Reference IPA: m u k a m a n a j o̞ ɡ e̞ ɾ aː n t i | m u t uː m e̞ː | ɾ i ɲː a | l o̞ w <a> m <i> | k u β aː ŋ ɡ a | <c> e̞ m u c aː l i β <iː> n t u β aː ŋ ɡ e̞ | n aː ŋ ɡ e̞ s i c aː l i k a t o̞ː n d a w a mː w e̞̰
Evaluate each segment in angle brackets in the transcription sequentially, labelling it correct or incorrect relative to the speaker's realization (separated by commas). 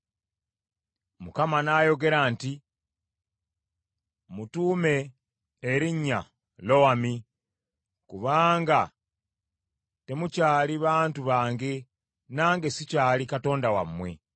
correct, correct, incorrect, incorrect